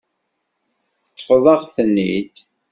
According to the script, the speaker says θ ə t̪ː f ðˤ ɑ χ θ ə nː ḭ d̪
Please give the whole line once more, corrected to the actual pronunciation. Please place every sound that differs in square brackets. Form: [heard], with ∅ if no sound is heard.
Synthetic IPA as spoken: θ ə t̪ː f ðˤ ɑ [ʁ] θ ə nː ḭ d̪